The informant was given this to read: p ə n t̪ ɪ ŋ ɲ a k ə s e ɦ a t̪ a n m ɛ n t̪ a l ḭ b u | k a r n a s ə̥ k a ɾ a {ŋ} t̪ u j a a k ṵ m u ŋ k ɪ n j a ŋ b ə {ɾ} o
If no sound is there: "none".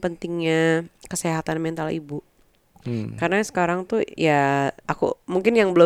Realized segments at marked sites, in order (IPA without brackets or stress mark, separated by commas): ŋ, l